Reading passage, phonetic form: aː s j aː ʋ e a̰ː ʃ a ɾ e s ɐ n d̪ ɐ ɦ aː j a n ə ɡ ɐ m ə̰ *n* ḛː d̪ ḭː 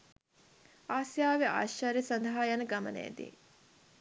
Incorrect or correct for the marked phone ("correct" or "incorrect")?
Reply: correct